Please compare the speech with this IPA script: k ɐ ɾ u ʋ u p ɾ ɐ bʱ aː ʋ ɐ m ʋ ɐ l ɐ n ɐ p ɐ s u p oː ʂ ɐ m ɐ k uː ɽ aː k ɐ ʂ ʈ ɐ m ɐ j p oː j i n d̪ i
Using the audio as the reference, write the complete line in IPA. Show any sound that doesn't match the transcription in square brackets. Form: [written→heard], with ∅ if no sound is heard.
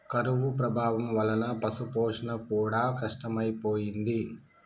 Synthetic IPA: k ɐ ɾ u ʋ u p ɾ ɐ bʱ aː ʋ ɐ m ʋ ɐ l ɐ n ɐ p ɐ s u p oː ʂ ɐ [m→n] ɐ k uː ɽ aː k ɐ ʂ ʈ ɐ m ɐ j p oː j i n d̪ i